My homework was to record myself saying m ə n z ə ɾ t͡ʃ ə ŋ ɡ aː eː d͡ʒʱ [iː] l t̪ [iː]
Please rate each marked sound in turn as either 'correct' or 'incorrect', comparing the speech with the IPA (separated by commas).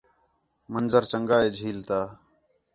correct, incorrect